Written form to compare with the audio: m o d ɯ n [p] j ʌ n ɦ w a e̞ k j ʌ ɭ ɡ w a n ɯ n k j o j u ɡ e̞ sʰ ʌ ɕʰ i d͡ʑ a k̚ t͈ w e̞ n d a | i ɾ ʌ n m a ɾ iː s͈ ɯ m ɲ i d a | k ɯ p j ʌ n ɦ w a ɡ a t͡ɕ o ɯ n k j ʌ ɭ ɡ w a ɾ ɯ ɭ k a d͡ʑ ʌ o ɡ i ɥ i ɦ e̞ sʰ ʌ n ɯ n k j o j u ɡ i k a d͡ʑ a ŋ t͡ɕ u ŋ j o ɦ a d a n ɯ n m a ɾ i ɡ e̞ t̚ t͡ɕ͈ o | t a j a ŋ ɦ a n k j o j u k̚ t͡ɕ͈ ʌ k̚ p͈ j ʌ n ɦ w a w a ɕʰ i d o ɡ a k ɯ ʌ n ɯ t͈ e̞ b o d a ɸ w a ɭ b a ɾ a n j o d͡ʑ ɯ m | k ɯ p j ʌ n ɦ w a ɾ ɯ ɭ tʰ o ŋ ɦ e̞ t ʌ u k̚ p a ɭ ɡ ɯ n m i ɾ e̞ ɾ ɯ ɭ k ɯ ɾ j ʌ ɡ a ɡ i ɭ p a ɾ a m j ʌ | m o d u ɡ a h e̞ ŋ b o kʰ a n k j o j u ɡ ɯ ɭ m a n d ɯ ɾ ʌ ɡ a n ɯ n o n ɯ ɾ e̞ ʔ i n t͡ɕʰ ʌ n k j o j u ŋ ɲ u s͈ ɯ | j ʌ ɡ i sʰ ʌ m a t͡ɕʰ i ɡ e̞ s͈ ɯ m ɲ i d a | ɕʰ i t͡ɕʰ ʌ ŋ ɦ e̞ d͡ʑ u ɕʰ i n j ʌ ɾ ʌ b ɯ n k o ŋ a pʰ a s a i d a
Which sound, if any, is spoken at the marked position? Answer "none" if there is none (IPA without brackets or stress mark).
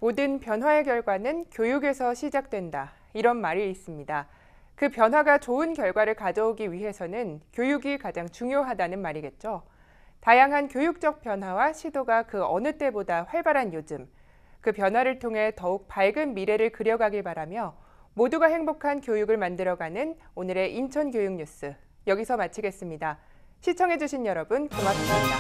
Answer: p